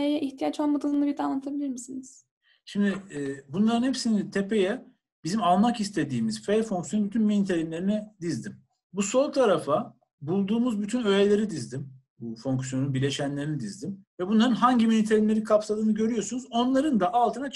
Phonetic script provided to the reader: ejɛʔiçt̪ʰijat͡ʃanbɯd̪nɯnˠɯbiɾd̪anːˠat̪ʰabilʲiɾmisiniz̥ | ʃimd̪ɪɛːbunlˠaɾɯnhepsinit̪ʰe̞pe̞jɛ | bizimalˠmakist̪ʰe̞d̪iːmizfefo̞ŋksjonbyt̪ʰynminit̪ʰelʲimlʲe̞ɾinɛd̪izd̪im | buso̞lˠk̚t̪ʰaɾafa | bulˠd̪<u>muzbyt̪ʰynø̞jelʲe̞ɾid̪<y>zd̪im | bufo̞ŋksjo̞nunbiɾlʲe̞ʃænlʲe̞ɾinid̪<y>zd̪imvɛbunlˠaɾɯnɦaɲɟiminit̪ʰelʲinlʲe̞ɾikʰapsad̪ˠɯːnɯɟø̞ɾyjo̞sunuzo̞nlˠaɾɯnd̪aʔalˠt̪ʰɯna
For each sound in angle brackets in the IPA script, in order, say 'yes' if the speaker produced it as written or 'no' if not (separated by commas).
no, no, no